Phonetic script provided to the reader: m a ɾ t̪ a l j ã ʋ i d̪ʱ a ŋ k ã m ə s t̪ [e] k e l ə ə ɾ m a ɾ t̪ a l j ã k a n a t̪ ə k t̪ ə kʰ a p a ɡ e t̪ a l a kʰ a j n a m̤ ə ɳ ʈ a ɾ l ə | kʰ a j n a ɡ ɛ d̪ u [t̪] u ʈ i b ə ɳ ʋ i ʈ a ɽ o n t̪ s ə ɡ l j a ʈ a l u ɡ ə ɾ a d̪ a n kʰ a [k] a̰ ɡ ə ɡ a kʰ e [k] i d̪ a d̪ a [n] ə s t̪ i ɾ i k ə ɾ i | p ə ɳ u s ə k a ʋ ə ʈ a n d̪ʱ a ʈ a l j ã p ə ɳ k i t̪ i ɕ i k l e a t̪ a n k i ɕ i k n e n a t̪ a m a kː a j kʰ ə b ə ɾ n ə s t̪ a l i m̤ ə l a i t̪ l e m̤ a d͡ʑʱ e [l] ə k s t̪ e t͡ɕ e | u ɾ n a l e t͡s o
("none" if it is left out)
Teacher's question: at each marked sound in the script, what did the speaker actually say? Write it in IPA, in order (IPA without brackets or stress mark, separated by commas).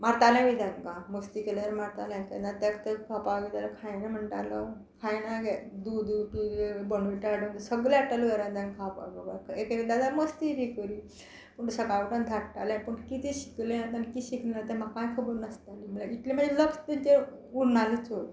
i, d̪, p, k, m, l